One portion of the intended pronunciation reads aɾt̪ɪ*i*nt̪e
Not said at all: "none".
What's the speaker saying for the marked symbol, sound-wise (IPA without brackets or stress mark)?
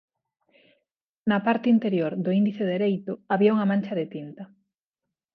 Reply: i